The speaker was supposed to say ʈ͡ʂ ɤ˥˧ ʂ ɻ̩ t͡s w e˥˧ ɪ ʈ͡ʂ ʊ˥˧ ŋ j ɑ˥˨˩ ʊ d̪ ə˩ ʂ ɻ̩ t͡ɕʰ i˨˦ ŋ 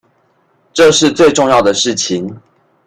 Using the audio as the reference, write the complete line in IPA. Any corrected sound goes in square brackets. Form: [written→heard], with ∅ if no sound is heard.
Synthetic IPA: ʈ͡ʂ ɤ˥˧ ʂ ɻ̩ t͡s w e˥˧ ɪ ʈ͡ʂ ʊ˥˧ ŋ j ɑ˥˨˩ ʊ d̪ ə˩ ʂ ɻ̩ t͡ɕʰ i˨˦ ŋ

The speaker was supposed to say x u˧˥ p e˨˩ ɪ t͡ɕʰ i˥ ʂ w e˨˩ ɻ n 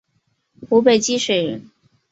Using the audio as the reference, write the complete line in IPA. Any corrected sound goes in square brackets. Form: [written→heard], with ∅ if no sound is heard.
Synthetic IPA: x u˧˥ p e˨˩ ɪ [t͡ɕʰ→t͡ɕ] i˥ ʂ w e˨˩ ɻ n

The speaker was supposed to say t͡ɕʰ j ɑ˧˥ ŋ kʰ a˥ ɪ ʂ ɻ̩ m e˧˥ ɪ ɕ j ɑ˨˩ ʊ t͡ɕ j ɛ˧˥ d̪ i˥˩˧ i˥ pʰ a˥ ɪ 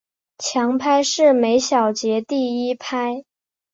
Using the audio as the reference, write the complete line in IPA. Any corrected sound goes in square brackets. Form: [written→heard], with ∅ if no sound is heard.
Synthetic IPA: t͡ɕʰ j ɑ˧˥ ŋ [kʰ→pʰ] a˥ ɪ ʂ ɻ̩ m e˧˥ ɪ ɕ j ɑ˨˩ ʊ t͡ɕ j ɛ˧˥ [d̪→t̪] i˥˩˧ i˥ pʰ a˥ ɪ

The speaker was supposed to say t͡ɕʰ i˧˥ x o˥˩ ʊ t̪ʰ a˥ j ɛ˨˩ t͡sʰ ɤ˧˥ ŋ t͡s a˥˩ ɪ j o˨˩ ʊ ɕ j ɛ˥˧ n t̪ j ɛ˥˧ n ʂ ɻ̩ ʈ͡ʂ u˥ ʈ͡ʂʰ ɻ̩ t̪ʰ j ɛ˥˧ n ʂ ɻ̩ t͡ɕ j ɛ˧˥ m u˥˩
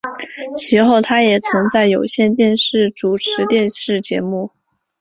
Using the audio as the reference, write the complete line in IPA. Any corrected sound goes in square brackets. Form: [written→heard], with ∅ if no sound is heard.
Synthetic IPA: t͡ɕʰ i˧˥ x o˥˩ ʊ t̪ʰ a˥ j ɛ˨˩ t͡sʰ ɤ˧˥ ŋ t͡s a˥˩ ɪ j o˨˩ ʊ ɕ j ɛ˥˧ n t̪ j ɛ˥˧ n ʂ ɻ̩ ʈ͡ʂ [u˥→u˨˩] ʈ͡ʂʰ ɻ̩ [t̪ʰ→t̪] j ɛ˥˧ n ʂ ɻ̩ t͡ɕ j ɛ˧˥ m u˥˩

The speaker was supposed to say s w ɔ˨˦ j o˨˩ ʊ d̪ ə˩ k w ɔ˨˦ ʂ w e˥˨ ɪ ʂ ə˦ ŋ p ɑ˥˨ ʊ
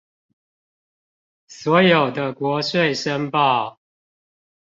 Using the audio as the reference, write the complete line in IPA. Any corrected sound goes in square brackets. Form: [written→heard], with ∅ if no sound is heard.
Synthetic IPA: s w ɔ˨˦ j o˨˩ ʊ d̪ [ə˩→ə˦] k w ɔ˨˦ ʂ w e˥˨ ɪ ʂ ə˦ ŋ p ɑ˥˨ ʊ

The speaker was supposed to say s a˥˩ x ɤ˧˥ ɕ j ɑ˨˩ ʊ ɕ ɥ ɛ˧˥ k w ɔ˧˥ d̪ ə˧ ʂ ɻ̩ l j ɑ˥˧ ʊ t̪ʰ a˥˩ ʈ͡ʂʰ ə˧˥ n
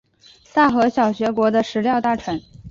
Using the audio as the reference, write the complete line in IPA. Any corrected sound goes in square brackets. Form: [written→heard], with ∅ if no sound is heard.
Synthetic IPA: s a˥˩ x ɤ˧˥ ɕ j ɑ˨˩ ʊ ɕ ɥ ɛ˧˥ k w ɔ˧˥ d̪ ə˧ ʂ ɻ̩ l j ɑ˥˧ ʊ [t̪ʰ→t̪] a˥˩ ʈ͡ʂʰ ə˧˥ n

